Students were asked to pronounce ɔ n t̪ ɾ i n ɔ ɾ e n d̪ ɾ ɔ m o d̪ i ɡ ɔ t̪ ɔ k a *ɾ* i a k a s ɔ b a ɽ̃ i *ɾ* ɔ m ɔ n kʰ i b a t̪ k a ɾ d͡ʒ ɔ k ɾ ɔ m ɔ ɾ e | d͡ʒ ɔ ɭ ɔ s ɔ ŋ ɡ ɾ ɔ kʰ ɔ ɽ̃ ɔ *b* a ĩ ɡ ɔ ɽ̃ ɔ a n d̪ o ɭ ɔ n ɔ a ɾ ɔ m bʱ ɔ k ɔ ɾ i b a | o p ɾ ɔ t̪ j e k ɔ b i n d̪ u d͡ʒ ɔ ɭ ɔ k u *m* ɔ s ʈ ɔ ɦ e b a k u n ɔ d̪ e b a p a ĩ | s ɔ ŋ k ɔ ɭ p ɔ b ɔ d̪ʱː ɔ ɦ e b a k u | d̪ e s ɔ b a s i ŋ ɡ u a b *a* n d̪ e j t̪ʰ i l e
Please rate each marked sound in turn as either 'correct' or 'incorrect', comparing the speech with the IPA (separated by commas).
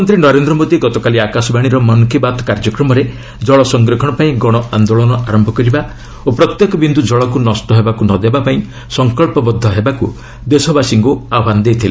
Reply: incorrect, correct, incorrect, incorrect, correct